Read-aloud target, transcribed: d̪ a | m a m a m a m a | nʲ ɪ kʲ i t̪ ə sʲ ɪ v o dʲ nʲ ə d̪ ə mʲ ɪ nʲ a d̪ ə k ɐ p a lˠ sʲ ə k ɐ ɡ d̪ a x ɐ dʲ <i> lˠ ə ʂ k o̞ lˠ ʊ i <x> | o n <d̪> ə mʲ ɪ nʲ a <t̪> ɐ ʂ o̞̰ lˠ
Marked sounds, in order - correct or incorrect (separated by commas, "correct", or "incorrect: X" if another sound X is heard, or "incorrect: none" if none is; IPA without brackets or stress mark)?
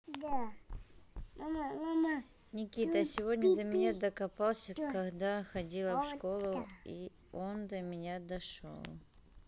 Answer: correct, incorrect: none, correct, incorrect: d̪